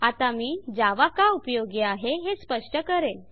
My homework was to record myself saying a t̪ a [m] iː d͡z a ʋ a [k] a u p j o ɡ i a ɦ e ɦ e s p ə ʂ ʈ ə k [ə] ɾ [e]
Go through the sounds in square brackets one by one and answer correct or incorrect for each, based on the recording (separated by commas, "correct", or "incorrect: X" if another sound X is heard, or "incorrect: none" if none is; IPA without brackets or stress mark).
correct, correct, correct, correct